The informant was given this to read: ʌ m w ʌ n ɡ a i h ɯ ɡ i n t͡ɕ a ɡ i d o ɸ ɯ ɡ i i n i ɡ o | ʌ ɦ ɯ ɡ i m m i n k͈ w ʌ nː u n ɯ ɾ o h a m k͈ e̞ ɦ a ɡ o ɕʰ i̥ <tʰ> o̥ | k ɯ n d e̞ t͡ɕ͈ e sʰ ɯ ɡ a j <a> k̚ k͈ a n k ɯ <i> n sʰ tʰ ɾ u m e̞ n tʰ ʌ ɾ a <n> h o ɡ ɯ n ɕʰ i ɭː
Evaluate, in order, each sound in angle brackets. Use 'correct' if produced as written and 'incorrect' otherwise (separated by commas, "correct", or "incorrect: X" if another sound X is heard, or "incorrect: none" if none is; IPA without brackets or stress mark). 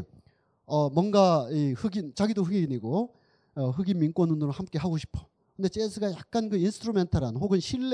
incorrect: pʰ, correct, correct, correct